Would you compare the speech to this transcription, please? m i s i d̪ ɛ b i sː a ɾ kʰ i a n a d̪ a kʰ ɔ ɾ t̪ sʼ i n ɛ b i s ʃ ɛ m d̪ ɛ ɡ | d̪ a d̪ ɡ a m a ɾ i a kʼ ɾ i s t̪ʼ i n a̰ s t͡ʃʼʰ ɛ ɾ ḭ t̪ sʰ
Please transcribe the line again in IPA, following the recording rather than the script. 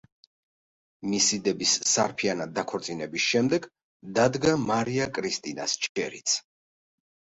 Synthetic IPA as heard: m i s i d̪ ɛ b i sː a ɾ pʰ i a n a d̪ a kʰ ɔ ɾ t̪ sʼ i n ɛ b i s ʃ ɛ m d̪ ɛ ɡ | d̪ a d̪ ɡ a m a ɾ i a kʼ ɾ i s t̪ʼ i n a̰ s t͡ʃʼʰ ɛ ɾ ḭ t̪ sʰ